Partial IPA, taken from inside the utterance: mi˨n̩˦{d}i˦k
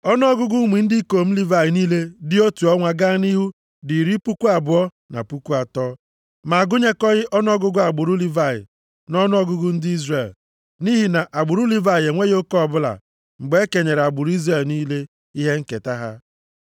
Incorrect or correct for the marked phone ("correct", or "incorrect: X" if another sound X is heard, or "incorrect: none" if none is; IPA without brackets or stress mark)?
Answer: correct